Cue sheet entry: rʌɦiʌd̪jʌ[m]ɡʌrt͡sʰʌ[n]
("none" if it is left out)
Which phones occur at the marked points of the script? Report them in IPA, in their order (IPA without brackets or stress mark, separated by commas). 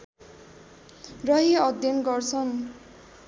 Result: n, n